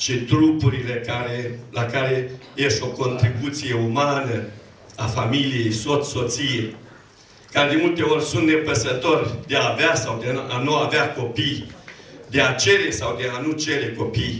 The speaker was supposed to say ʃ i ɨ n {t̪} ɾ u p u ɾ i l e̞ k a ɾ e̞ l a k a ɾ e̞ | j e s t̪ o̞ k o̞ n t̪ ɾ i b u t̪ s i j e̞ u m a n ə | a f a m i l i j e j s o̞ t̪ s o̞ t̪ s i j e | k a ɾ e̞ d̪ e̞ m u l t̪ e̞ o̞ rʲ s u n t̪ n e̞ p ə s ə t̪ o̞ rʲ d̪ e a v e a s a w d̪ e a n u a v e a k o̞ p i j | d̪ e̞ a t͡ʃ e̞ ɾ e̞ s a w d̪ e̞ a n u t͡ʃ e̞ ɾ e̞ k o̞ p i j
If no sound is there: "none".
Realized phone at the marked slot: t̪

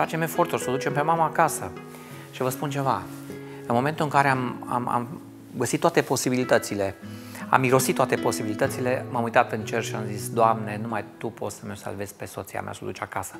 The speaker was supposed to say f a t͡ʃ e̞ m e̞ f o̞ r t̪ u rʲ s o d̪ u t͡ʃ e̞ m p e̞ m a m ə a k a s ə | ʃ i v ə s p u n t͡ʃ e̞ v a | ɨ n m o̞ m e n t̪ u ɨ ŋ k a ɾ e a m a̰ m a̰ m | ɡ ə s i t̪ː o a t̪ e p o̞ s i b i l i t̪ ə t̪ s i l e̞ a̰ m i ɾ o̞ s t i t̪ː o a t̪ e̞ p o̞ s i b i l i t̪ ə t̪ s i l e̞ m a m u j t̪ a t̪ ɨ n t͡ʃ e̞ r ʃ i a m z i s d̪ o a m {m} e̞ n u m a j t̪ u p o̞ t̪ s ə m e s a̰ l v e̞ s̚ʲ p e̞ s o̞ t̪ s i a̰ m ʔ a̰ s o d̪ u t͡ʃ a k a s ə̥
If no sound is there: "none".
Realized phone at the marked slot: n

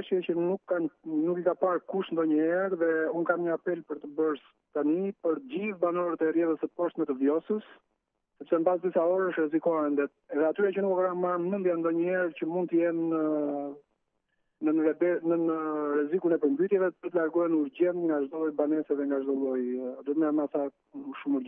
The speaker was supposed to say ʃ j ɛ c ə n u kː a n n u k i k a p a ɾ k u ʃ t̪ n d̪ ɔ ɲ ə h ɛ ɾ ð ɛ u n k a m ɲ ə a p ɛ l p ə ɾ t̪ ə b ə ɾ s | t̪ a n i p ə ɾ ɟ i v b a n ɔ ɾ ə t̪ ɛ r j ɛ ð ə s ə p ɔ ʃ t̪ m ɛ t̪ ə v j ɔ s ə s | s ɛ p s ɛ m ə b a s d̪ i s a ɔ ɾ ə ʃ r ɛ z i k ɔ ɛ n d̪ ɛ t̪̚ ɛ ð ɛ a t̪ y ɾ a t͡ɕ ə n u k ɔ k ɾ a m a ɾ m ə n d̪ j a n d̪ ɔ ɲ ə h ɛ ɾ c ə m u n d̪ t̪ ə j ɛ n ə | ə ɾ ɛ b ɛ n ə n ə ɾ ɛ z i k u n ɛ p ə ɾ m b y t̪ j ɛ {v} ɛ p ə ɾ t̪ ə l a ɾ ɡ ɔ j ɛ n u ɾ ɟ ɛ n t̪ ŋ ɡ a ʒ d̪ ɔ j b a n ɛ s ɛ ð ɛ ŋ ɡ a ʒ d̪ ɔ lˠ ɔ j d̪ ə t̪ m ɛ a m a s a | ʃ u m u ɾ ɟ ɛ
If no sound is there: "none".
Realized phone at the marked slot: v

